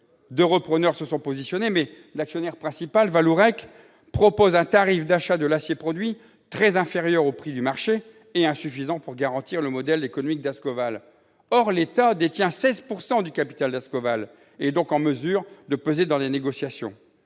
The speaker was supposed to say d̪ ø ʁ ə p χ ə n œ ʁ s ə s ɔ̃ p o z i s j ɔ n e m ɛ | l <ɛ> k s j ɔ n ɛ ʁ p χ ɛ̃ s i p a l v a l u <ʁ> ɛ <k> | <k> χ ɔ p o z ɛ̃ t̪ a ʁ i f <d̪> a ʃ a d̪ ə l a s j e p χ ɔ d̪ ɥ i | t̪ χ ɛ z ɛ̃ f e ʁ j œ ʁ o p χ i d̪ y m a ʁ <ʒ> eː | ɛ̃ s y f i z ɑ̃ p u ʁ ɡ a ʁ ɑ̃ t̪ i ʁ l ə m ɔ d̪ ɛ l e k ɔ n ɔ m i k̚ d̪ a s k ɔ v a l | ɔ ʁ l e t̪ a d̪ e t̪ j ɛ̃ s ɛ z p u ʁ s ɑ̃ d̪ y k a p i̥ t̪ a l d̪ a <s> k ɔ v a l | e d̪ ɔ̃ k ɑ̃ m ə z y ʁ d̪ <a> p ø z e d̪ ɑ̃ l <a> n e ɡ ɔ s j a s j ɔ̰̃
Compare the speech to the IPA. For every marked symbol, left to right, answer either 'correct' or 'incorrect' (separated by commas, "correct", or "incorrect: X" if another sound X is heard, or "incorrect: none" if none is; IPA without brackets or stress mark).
incorrect: a, correct, correct, incorrect: p, correct, incorrect: ʃ, correct, incorrect: ə, incorrect: e